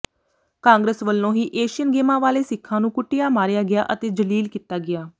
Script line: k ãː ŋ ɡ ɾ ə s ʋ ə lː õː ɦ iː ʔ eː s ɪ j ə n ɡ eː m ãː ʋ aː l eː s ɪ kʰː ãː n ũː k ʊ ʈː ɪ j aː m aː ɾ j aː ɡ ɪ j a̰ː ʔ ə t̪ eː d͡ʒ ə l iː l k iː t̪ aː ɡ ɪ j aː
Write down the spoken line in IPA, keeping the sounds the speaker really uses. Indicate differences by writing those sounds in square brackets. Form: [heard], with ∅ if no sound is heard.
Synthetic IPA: k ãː ŋ ɡ ɾ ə s ʋ ə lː õː ɦ iː ʔ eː [ʃ] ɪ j ə n ɡ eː m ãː ʋ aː l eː s ɪ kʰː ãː n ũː k ʊ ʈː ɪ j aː m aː ɾ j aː ɡ ɪ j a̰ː ʔ ə t̪ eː d͡ʒ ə l iː l k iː t̪ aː ɡ ɪ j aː